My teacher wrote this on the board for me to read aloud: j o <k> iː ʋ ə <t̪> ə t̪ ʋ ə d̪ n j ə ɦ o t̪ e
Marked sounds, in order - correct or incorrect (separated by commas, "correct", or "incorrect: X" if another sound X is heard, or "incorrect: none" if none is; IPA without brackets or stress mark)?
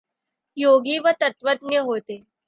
incorrect: ɡ, correct